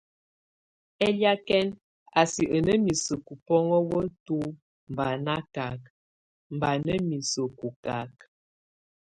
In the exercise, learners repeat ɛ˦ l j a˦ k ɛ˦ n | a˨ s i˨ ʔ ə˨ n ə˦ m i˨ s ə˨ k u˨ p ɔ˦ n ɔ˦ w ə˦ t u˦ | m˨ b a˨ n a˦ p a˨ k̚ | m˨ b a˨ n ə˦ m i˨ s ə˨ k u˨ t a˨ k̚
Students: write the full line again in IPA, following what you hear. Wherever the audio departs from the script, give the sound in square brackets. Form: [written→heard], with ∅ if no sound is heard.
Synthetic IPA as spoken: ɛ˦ l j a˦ k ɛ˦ n | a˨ s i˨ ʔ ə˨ n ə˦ m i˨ s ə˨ k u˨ p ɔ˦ [n→ŋ] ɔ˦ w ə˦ t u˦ | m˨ b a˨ n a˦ [p→k] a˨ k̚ | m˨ b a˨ n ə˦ m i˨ s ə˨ k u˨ [t→k] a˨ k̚